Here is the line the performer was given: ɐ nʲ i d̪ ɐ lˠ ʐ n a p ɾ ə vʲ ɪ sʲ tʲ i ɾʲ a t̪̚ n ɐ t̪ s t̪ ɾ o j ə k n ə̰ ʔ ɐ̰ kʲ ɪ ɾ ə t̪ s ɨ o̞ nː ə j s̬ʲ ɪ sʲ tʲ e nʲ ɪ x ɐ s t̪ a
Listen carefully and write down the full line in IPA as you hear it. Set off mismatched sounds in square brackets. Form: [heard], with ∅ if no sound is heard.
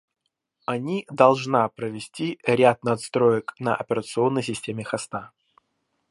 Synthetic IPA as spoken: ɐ nʲ i d̪ ɐ lˠ ʐ n a p ɾ ə vʲ ɪ sʲ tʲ i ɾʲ a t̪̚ n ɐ t̪ s t̪ ɾ o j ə k n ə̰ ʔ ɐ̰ [pʲ] ɪ ɾ ə t̪ s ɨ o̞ nː ə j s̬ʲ ɪ sʲ tʲ e [mʲ] ɪ x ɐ s t̪ a